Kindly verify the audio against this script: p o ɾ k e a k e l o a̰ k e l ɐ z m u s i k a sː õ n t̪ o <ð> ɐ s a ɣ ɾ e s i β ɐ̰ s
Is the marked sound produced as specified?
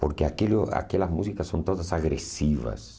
yes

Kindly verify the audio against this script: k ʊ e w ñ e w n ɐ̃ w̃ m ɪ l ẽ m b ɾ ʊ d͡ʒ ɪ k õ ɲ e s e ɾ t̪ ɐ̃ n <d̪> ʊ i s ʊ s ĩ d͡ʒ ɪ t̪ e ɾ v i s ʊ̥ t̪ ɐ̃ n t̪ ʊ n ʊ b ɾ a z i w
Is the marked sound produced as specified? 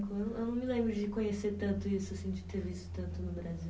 no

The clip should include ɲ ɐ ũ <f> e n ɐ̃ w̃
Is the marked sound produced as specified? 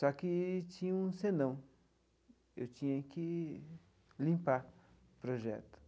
no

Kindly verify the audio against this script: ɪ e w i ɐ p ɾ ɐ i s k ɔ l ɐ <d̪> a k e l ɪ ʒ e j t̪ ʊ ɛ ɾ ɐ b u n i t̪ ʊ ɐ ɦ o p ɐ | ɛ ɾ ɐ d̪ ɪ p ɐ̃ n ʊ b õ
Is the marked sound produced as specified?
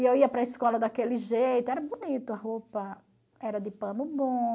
yes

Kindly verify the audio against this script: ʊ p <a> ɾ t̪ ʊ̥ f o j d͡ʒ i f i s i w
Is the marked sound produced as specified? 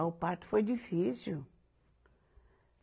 yes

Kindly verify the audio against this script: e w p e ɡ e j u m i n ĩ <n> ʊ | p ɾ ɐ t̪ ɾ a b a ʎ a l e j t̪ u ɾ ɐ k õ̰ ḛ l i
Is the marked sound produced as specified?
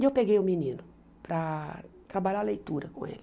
yes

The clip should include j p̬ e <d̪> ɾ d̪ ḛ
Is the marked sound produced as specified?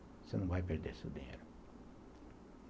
no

